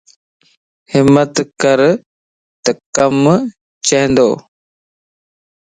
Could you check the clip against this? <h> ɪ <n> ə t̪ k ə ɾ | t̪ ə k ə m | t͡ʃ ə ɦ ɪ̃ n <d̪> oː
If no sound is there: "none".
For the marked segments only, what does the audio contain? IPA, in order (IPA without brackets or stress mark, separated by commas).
h, m, d̪